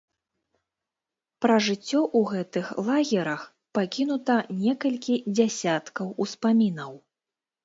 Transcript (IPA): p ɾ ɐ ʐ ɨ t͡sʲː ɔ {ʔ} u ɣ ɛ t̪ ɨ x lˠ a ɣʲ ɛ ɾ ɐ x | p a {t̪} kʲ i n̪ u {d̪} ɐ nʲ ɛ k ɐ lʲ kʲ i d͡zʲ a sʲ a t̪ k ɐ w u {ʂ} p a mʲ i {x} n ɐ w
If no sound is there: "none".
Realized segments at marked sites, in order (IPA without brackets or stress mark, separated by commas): ʔ, none, t̪, s, none